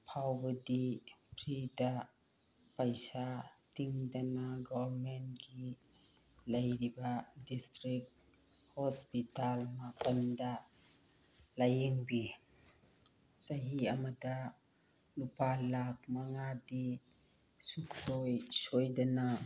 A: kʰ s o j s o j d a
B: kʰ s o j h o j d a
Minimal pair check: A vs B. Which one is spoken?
A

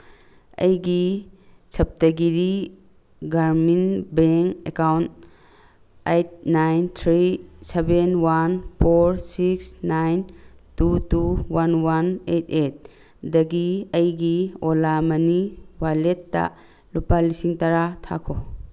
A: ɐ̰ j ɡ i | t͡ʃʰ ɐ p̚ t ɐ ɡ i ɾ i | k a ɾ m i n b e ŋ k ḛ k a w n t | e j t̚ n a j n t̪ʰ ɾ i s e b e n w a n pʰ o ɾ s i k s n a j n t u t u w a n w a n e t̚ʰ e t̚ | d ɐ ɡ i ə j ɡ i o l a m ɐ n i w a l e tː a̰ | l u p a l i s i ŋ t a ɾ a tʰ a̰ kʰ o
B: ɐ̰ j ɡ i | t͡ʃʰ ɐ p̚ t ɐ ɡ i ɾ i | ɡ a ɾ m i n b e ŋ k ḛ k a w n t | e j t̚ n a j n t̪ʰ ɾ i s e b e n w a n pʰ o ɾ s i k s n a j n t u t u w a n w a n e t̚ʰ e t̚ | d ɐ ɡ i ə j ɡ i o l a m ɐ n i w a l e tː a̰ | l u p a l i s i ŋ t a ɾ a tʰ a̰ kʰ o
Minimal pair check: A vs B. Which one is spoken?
B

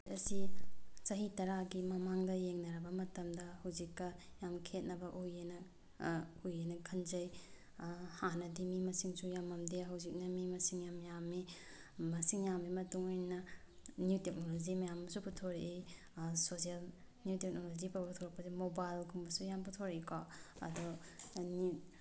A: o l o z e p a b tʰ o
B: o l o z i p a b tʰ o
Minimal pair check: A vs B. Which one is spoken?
B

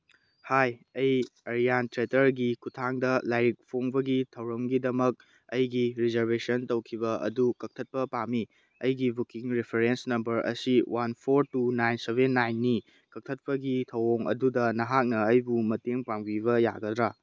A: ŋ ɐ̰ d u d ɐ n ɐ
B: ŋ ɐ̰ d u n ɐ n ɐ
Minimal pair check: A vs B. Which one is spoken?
A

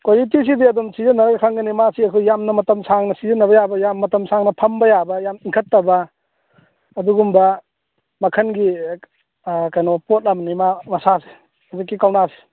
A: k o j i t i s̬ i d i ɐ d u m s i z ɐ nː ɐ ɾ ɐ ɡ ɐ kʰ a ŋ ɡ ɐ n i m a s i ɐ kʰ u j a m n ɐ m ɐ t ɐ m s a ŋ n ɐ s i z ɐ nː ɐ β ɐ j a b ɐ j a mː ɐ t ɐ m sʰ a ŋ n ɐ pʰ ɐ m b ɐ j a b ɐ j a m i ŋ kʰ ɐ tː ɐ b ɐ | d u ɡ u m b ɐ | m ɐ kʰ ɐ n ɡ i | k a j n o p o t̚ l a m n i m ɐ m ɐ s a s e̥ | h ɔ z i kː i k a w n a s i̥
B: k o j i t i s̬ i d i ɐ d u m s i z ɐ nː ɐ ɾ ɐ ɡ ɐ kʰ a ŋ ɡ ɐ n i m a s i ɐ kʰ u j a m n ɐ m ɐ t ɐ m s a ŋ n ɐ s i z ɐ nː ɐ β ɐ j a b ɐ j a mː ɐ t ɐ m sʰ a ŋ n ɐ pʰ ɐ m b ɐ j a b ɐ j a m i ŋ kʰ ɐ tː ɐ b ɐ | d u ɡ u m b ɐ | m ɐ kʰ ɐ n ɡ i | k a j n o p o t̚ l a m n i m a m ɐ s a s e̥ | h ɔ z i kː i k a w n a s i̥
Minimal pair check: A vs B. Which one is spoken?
B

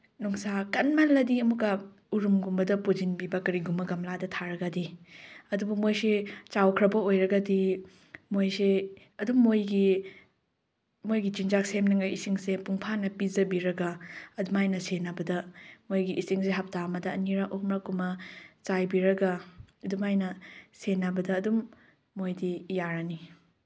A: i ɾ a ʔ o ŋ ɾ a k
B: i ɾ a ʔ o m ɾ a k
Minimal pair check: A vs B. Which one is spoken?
B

